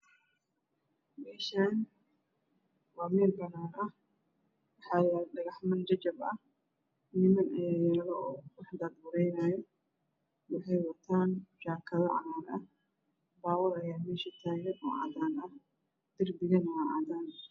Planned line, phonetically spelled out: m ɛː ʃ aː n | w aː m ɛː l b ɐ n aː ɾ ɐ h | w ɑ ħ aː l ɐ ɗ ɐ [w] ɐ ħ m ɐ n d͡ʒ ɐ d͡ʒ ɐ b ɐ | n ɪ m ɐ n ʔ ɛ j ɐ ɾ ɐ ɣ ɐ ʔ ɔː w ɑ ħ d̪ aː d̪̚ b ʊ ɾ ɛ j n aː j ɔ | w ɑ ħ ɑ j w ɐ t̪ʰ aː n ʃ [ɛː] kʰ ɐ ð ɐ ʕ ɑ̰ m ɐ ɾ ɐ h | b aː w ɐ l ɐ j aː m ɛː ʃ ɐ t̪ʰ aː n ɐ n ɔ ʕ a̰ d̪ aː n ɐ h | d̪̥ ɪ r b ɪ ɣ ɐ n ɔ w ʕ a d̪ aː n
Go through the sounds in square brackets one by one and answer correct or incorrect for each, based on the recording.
incorrect: ɣ, incorrect: aː

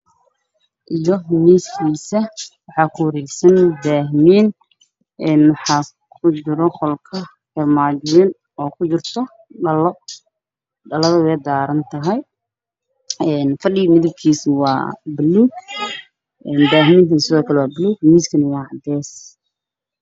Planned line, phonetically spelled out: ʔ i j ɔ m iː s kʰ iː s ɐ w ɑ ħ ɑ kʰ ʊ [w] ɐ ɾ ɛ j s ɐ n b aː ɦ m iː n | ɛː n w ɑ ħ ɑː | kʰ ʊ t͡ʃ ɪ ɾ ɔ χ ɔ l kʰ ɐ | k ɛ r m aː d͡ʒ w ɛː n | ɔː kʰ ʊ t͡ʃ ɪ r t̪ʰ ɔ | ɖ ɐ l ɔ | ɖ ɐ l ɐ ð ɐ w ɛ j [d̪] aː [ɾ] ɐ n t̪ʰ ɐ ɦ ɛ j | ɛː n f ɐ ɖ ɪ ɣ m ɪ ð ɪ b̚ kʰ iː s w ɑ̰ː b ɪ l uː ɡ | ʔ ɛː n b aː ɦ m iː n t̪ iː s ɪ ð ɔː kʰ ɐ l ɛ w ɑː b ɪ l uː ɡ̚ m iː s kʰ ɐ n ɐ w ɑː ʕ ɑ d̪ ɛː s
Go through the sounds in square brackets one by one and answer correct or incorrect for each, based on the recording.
correct, correct, correct

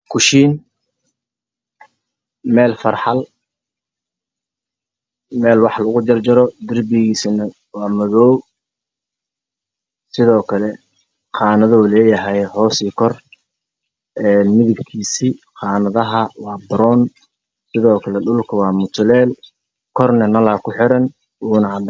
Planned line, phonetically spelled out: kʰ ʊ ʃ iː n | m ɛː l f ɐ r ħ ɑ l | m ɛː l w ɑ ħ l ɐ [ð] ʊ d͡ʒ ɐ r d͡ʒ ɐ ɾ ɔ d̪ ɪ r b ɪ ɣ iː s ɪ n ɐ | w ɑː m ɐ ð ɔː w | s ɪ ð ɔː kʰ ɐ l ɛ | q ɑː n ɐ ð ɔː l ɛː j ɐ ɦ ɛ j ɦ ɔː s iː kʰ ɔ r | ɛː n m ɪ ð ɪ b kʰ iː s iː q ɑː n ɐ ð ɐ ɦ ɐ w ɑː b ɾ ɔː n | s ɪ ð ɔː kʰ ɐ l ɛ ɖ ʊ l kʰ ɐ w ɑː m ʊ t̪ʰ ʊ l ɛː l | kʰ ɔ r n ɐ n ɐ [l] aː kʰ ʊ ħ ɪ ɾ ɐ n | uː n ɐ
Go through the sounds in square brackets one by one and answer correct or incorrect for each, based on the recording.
incorrect: ɣ, correct

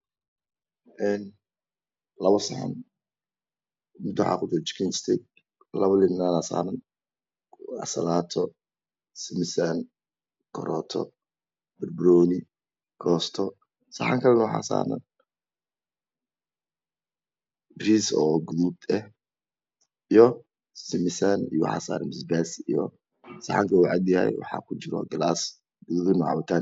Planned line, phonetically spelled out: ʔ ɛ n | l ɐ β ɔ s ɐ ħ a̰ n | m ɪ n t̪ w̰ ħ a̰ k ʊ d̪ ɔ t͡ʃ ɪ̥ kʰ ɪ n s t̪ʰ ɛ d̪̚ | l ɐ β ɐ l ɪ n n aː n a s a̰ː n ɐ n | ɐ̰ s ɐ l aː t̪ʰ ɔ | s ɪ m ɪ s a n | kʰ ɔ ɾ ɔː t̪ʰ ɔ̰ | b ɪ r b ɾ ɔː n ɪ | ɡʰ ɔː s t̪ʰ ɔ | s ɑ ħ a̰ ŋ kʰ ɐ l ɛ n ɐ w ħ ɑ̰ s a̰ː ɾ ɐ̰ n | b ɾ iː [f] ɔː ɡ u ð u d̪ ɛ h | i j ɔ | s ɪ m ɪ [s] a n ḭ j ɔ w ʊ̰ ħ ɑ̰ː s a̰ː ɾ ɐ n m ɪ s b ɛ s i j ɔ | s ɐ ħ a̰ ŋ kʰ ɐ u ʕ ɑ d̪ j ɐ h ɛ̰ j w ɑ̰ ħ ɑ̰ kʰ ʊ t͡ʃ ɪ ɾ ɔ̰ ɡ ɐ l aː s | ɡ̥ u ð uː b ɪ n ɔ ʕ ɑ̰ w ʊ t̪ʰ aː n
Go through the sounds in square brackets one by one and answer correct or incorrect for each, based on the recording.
incorrect: s, correct

